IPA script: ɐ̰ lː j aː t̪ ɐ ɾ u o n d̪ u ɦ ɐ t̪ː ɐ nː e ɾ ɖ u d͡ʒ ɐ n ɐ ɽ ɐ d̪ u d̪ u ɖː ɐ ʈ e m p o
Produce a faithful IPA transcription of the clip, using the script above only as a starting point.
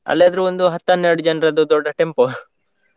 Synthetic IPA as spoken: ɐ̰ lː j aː d̪ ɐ ɾ u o n d̪ u ɦ ɐ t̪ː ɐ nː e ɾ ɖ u d͡ʒ ɐ n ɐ ɾ ɐ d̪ u d̪ ɔ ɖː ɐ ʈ e m p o